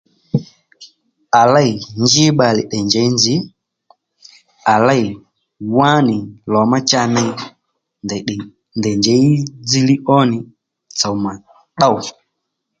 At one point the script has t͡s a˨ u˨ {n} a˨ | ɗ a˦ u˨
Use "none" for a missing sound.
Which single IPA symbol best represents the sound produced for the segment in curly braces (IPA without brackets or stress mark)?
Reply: m